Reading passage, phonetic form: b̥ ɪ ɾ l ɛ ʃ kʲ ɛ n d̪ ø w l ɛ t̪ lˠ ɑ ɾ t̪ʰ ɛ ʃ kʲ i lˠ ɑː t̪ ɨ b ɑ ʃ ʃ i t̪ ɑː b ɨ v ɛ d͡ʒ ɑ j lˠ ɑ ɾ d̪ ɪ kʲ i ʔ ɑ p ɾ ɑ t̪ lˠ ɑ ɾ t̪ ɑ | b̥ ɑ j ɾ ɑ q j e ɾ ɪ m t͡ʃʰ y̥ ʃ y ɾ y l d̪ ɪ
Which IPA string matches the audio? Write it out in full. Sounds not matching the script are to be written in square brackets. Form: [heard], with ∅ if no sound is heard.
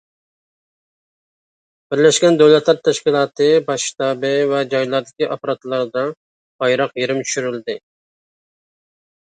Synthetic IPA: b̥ ɪ ɾ l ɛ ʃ kʲ ɛ n d̪ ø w l ɛ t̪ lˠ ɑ ɾ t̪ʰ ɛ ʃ kʲ i lˠ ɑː t̪ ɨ b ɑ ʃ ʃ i t̪ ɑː b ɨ v ɛ d͡ʒ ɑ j lˠ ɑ ɾ d̪ ɪ kʲ i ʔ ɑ p ɾ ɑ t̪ lˠ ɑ ɾ [d̪] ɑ | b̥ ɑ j ɾ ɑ q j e ɾ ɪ m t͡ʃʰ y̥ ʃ y ɾ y l d̪ ɪ